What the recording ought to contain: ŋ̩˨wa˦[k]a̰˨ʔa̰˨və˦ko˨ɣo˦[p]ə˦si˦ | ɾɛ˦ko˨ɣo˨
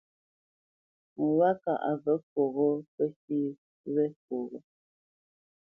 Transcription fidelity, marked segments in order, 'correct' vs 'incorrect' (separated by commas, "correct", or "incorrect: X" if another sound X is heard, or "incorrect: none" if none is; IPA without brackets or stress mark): correct, correct